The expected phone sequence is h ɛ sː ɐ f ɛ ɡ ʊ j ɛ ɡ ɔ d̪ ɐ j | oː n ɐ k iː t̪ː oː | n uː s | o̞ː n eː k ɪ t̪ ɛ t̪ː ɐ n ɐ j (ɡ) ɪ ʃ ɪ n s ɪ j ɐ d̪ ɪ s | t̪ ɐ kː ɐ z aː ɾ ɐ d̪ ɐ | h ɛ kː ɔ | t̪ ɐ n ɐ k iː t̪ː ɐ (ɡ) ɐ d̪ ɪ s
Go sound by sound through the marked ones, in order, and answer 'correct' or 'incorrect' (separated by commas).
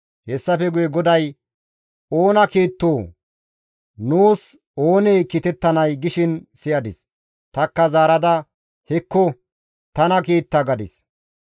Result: correct, correct